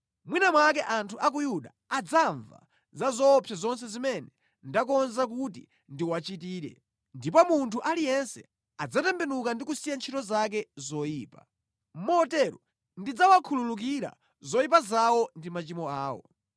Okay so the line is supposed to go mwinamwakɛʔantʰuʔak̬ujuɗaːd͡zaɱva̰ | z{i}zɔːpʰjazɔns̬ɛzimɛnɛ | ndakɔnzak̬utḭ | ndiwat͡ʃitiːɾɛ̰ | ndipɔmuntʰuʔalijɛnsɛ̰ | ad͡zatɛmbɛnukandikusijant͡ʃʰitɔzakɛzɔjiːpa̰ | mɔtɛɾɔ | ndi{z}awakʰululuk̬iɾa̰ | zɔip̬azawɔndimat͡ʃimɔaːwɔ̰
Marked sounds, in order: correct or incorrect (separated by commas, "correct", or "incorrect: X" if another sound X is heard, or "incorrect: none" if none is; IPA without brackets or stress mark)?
incorrect: a, incorrect: d͡z